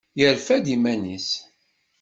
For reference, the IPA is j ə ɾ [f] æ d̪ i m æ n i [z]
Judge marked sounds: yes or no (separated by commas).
yes, no